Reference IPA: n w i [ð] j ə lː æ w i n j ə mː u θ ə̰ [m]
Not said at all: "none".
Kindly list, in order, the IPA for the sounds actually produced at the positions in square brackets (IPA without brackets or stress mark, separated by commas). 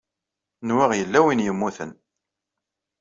ʁ, n